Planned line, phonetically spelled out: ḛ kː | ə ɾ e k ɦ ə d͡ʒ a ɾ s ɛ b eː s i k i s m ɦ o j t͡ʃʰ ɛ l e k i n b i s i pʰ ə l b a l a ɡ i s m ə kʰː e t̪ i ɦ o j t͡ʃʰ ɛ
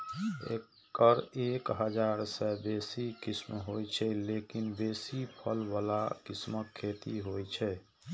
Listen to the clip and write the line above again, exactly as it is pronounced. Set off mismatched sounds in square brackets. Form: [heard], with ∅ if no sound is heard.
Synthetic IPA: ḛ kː | ə ɾ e k ɦ ə d͡ʒ a ɾ s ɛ b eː s i k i s m ɦ o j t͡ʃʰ ɛ l e k i n b [e] s i pʰ ə l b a l a [k] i s m ə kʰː e t̪ i ɦ o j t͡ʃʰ ɛ